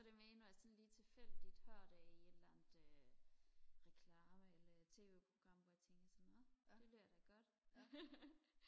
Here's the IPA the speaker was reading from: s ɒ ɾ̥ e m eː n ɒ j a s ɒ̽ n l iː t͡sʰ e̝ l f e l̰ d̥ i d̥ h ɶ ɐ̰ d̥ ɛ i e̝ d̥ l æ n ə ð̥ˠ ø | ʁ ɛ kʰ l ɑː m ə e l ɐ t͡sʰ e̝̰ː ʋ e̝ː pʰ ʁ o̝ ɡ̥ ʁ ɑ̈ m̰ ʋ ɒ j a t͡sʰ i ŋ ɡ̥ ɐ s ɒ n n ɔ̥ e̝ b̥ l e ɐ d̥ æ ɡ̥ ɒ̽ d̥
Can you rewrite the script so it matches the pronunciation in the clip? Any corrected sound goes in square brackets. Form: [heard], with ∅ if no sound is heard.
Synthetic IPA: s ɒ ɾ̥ e m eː n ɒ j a s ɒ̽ n l iː t͡sʰ e̝ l f e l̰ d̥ i d̥ h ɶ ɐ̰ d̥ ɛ i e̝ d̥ l æ n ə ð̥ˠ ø | ʁ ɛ kʰ l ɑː m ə e l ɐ t͡sʰ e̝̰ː ʋ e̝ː pʰ ʁ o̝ ɡ̥ ʁ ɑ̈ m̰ ʋ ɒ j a t͡sʰ [e] ŋ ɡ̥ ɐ s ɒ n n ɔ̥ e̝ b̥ l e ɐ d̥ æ ɡ̥ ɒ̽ d̥